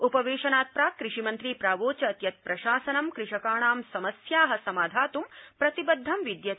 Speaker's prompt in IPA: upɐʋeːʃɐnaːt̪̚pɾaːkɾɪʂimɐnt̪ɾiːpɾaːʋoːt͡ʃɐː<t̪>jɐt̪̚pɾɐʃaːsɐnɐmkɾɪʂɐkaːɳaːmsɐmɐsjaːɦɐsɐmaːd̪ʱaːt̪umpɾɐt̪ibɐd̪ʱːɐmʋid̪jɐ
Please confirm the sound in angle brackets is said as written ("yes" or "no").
yes